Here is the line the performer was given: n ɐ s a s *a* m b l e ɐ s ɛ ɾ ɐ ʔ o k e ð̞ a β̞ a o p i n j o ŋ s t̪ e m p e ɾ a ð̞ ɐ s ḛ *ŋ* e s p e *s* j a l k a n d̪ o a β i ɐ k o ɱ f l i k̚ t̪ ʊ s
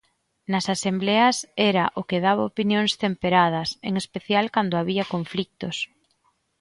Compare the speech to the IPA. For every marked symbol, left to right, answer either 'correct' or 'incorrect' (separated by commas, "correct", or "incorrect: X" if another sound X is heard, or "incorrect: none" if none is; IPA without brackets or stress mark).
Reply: incorrect: e, correct, incorrect: θ